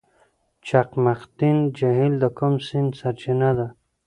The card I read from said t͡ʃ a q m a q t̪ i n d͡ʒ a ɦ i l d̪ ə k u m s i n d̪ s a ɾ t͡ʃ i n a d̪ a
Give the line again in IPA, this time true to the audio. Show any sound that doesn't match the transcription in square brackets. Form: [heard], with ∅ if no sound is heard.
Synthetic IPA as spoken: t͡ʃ a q m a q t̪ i n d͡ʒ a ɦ i l d̪ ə k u m s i n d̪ s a ɾ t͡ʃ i n a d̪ a

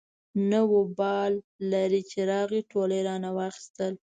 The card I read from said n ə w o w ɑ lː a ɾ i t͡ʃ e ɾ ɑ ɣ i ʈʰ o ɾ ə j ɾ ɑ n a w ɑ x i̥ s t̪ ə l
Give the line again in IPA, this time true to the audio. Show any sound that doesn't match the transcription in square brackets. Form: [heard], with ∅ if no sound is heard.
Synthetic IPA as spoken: n ə w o [b] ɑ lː a ɾ i t͡ʃ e ɾ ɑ ɣ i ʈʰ o [l] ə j ɾ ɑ n a w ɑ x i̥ s t̪ ə l

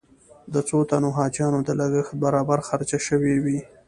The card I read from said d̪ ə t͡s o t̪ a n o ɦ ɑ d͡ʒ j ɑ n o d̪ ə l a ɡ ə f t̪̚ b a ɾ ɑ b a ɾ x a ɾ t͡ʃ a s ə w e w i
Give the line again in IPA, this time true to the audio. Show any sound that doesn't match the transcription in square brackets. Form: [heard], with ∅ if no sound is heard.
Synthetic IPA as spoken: d̪ ə t͡s o t̪ a n o ɦ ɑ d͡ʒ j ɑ n o d̪ ə l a ɡ ə [x] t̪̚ b a ɾ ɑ b a ɾ x a ɾ t͡ʃ a [ʃ] ə w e w i

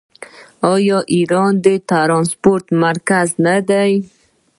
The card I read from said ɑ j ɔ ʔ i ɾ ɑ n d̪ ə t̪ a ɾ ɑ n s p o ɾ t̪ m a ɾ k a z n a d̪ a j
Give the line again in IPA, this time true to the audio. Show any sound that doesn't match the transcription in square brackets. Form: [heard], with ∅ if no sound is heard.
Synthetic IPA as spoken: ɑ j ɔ ʔ i ɾ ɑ n d̪ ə t̪ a ɾ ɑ n s p o ɾ t̪ m a ɾ k a z n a d̪ a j

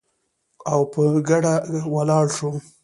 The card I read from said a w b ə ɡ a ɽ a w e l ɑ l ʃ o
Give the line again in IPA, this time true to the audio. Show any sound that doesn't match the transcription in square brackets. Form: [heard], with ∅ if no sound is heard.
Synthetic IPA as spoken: a w [p] ə ɡ a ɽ a w [a] l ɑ [ɽ] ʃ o

